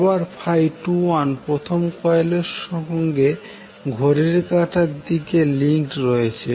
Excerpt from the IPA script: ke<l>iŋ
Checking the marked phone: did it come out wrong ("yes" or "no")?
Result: no